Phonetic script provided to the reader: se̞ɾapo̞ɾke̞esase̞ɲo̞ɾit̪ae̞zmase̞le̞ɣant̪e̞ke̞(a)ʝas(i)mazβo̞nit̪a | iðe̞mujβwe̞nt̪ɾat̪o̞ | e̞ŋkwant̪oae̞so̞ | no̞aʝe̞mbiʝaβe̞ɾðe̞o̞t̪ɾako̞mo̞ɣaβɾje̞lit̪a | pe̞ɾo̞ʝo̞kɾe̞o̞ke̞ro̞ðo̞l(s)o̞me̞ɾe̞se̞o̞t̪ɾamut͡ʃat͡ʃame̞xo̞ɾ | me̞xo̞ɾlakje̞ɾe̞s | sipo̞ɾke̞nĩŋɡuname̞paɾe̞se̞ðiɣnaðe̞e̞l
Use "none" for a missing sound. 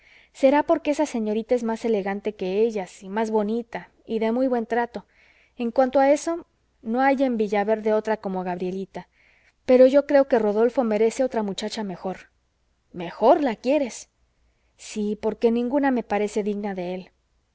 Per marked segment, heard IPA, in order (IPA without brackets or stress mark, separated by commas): e, i, f